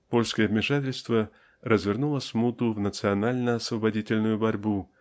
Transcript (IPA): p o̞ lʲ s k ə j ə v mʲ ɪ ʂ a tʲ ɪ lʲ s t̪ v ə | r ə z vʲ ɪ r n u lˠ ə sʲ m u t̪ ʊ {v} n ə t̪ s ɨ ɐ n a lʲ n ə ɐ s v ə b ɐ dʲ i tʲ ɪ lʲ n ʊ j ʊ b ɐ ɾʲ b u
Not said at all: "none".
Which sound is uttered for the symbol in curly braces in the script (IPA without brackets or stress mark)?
v